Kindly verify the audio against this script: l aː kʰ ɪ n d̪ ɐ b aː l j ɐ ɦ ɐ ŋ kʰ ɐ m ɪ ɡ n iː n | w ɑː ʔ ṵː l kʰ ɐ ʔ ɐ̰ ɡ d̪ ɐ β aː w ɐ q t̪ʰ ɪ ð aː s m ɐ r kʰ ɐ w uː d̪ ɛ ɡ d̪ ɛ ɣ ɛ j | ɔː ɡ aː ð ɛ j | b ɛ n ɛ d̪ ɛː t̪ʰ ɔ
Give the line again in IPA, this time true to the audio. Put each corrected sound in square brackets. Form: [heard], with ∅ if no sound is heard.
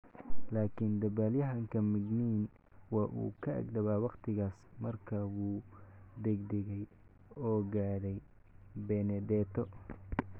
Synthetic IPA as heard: l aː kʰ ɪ n d̪ ɐ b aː l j ɐ ɦ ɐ ŋ kʰ ɐ m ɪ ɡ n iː n | w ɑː ʔ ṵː [∅] kʰ ɐ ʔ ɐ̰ ɡ d̪ ɐ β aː w [ɑ] q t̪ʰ ɪ [ɣ] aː s m ɐ r kʰ ɐ w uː d̪ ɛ ɡ d̪ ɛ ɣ ɛ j | ɔː ɡ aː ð ɛ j | b ɛ n ɛ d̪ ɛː t̪ʰ ɔ